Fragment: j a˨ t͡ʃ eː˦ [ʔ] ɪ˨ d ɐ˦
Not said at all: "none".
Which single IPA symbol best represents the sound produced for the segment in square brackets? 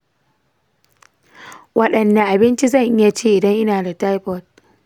ʔ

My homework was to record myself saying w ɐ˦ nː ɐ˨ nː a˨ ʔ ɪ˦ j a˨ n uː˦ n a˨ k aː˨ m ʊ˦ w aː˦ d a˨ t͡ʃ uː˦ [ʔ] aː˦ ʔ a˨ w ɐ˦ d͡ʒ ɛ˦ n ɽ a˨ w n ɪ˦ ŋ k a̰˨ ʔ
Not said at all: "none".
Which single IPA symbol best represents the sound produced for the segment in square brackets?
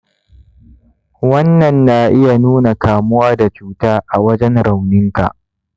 t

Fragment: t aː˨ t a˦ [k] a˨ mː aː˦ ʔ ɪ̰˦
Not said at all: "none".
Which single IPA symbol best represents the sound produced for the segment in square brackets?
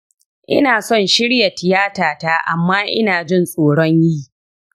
ʔ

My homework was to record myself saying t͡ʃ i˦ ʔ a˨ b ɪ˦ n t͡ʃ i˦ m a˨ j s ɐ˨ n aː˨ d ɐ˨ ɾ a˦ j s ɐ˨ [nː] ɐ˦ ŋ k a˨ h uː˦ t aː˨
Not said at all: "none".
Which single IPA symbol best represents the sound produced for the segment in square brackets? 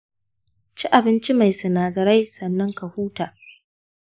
nː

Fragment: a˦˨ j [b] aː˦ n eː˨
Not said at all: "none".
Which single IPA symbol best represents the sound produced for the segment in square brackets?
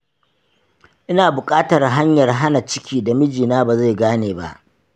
ɡ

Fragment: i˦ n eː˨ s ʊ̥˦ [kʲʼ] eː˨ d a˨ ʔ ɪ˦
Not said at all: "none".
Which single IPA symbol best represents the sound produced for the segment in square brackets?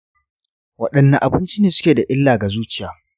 kʲ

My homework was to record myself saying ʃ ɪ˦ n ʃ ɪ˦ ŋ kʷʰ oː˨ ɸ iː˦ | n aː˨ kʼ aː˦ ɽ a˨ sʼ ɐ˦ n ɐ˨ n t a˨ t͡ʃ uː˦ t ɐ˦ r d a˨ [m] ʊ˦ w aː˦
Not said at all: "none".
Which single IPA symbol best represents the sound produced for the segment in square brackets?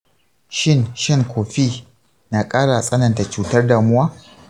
m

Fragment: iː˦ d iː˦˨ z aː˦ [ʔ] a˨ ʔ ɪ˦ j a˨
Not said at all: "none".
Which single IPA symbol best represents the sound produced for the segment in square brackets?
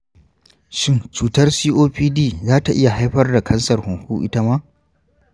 t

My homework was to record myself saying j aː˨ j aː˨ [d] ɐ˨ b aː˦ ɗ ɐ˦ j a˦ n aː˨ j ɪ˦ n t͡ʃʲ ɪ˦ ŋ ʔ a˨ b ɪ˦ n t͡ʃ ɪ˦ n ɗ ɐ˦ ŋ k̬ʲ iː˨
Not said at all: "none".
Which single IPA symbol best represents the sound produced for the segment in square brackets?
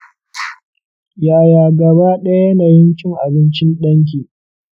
ɡ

